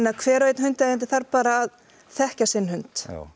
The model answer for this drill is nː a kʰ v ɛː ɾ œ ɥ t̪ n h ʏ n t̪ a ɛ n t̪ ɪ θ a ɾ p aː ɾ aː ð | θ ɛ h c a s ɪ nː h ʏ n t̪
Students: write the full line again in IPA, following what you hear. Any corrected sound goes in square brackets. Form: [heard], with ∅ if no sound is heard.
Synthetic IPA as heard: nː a kʰ v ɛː ɾ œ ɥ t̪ n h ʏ n t̪ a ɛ n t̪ ɪ θ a ɾ p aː ɾ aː ð | θ ɛ h c a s ɪ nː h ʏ n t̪